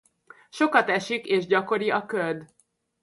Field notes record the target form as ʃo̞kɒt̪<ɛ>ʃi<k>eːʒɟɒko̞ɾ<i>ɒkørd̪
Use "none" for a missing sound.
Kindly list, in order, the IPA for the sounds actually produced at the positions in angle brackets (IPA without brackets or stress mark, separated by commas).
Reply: ɛ, k, i